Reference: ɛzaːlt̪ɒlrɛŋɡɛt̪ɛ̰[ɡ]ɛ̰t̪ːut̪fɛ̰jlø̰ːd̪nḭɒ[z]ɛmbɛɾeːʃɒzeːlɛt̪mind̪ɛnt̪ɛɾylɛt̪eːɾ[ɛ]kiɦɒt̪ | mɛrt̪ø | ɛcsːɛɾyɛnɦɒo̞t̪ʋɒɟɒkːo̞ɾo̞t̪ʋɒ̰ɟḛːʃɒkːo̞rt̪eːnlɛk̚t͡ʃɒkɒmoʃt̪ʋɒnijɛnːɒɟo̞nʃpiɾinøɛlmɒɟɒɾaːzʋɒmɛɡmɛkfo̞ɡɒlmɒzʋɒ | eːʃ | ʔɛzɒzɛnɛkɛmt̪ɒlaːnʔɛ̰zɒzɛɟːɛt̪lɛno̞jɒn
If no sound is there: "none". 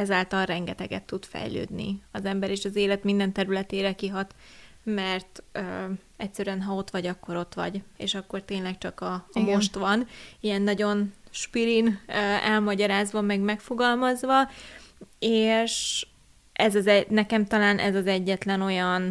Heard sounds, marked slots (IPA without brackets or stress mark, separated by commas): ɡ, z, ɛ